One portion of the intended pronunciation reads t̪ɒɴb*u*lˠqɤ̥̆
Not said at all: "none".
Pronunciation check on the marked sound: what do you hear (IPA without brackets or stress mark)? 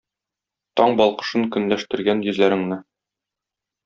ɒ